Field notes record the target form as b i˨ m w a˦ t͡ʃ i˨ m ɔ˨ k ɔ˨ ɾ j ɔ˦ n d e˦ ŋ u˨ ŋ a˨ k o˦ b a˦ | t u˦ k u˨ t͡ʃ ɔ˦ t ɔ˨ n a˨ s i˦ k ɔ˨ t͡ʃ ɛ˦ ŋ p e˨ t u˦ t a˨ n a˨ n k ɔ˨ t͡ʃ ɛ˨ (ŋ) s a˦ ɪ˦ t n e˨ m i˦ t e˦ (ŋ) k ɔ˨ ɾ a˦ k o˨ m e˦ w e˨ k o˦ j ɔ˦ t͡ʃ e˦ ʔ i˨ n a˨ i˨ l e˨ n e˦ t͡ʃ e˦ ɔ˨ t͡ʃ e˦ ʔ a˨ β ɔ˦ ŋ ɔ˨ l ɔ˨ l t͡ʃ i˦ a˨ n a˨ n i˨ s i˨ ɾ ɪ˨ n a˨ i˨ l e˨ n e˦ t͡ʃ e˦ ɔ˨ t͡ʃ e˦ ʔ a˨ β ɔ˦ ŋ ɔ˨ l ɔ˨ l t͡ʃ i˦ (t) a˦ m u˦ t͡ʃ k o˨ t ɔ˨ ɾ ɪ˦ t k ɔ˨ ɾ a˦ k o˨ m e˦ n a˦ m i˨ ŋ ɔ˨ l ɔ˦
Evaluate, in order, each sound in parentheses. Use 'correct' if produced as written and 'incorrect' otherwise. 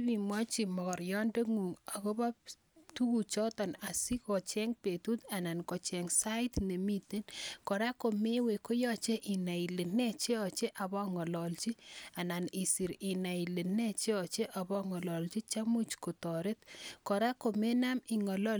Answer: correct, incorrect, incorrect

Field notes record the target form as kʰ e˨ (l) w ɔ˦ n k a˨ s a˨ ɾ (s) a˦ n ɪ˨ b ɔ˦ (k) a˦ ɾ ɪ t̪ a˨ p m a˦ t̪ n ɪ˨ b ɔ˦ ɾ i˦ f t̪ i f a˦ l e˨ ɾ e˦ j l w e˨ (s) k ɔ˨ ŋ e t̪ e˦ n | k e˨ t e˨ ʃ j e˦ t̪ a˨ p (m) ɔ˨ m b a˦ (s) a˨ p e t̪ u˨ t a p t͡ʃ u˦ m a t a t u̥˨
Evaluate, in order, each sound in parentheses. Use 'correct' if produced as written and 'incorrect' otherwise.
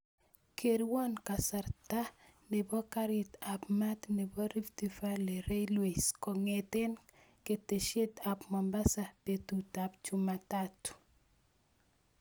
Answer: incorrect, incorrect, correct, correct, correct, correct

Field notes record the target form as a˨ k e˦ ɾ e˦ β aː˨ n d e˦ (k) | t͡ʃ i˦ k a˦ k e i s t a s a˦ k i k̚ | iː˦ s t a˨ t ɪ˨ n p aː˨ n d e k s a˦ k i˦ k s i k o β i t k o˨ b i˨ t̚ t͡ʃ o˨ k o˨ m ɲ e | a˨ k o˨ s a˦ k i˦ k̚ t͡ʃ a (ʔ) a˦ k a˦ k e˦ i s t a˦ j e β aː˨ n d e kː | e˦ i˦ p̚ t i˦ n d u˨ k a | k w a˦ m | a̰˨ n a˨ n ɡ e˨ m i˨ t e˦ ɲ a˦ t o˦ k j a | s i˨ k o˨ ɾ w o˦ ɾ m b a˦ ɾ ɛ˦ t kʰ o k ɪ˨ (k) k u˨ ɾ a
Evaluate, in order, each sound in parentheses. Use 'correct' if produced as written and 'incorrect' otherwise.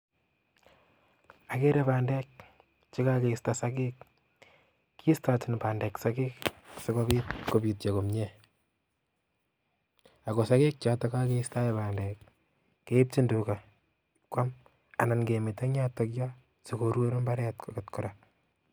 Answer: correct, incorrect, incorrect

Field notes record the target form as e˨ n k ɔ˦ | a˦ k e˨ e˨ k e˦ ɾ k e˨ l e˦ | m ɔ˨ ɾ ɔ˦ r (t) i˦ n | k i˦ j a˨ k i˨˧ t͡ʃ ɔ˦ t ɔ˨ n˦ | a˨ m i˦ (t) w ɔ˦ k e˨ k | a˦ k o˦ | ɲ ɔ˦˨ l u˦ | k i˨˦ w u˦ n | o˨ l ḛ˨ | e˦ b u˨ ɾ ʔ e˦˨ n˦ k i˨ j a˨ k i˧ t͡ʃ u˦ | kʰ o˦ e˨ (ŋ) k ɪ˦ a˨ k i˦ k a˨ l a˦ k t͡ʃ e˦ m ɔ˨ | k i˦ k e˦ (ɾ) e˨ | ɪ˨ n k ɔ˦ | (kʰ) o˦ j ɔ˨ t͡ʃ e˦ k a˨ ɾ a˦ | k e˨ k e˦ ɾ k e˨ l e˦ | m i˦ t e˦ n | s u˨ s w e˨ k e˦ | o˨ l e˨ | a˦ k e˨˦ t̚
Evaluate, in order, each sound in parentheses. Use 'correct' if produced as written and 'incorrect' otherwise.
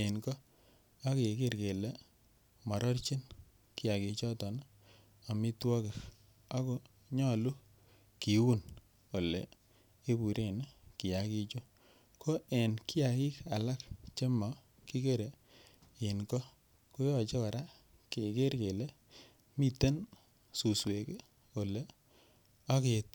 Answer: incorrect, correct, incorrect, correct, incorrect

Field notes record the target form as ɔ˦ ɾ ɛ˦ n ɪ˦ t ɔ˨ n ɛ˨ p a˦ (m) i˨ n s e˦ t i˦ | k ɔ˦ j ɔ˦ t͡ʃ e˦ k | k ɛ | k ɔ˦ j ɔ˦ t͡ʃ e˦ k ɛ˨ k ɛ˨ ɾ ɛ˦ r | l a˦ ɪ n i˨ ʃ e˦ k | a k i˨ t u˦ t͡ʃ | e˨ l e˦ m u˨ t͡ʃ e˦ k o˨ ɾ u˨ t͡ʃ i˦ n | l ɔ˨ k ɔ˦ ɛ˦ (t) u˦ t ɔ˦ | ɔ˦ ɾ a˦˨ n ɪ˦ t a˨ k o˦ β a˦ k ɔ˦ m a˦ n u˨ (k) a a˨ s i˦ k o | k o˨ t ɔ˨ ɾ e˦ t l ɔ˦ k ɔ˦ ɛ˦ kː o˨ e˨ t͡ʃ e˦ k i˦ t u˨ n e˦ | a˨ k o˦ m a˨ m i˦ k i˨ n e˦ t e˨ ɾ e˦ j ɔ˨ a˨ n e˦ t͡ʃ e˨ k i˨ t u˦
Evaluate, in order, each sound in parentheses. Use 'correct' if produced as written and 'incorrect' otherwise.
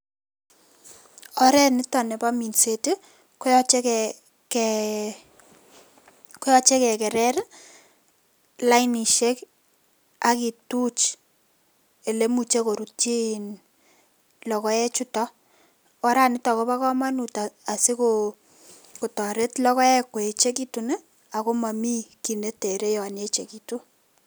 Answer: correct, incorrect, incorrect

